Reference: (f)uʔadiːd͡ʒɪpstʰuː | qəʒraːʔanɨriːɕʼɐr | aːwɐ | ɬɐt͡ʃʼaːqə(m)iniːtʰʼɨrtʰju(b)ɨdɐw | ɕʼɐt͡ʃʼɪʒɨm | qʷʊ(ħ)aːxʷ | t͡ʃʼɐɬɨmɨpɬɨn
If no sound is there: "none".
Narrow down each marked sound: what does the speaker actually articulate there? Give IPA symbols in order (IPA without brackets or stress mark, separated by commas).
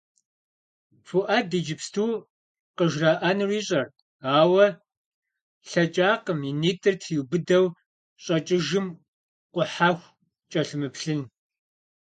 f, m, b, ħ